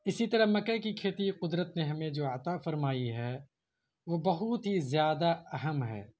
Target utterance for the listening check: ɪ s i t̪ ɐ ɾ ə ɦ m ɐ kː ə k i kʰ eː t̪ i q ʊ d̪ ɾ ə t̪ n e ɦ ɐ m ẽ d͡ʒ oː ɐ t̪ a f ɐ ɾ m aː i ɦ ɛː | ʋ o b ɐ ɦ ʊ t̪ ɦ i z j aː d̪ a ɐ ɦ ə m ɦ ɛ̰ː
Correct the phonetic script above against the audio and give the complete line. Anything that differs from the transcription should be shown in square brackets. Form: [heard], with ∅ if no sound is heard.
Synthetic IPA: ɪ s i t̪ ɐ ɾ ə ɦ m ɐ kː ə k i kʰ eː t̪ i q ʊ d̪ ɾ ə t̪ n e ɦ ɐ m ẽ d͡ʒ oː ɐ t̪ a f ɐ ɾ m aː i ɦ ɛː | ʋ o b ɐ ɦ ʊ t̪ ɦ i z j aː d̪ a ɐ ɦ ə m ɦ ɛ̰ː